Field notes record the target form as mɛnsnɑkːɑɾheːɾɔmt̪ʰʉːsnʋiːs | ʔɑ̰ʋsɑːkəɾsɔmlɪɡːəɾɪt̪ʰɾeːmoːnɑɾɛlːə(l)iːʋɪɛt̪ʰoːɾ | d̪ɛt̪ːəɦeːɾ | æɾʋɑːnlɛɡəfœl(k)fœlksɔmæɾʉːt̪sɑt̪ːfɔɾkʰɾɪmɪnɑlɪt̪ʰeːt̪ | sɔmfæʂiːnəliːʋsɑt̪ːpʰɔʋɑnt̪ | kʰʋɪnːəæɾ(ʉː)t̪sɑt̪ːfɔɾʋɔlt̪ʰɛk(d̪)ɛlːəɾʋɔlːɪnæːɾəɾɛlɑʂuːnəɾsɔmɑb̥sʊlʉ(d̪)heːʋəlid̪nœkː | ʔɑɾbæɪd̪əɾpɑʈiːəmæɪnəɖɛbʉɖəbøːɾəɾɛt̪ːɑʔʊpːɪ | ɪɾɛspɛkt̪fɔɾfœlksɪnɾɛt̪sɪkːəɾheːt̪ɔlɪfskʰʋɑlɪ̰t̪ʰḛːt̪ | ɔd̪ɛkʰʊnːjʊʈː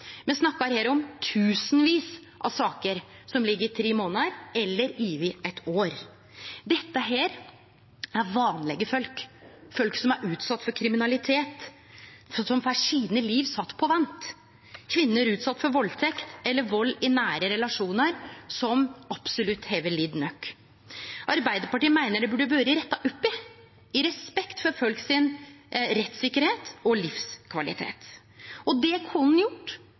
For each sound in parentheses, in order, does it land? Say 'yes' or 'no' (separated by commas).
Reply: no, yes, yes, no, no